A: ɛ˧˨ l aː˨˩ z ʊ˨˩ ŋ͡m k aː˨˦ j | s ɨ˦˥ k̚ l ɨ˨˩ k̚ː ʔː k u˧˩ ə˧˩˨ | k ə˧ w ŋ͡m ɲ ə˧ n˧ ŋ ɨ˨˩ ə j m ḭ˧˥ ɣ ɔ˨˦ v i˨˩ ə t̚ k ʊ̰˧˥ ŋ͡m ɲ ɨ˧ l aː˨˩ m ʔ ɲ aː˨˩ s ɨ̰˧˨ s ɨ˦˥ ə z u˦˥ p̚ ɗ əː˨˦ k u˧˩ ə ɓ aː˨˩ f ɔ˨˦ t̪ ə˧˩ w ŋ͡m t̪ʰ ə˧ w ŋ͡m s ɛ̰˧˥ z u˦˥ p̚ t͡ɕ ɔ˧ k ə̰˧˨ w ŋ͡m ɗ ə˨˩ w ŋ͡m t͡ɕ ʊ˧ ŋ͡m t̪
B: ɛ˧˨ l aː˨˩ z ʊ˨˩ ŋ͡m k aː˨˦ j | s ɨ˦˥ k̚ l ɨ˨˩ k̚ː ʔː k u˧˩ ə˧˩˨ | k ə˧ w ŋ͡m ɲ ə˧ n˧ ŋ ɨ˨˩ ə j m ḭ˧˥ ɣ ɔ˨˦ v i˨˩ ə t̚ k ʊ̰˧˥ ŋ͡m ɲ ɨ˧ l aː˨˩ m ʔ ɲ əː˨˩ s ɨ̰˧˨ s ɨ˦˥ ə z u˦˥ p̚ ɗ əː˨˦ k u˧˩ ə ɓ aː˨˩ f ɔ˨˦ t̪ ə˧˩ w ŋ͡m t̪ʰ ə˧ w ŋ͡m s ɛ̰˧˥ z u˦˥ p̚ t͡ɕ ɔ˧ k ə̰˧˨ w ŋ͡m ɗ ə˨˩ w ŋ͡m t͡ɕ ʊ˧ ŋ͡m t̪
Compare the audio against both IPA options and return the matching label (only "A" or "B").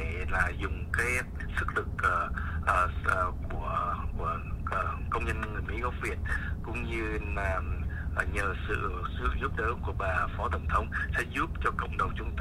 B